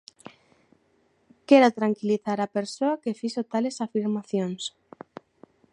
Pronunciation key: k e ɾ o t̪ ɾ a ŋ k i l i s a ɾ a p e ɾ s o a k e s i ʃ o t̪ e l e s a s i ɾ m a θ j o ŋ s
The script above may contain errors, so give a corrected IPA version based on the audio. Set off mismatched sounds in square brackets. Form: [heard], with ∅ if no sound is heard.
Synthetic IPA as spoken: k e ɾ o t̪ ɾ a ŋ k i l i [θ] a ɾ a p e ɾ s o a k e [f] i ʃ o t̪ [a] l e s a [f] i ɾ m a θ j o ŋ s

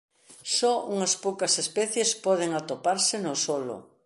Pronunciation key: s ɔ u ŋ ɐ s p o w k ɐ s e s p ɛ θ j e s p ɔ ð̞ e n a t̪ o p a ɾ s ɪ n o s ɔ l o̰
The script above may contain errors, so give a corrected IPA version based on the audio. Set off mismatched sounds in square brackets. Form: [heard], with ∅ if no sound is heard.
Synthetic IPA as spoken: s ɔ u ŋ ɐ s p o w k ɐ s e s p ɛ θ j e s p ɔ ð̞ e [ŋ] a t̪ o p a ɾ s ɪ n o s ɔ l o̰

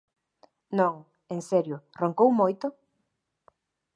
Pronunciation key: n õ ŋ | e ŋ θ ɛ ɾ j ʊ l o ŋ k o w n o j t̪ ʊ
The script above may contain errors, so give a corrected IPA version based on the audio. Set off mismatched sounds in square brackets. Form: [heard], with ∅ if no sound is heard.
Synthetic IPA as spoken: n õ ŋ | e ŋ [s] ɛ ɾ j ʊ [r] o ŋ k o w [m] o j t̪ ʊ

